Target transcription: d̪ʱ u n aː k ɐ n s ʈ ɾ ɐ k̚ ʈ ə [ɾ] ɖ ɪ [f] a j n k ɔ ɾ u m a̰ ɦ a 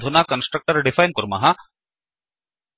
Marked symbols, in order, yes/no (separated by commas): yes, yes